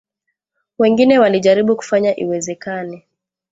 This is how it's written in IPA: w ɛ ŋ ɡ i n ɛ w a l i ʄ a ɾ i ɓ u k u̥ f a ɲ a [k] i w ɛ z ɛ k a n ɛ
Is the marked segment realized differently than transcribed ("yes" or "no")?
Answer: yes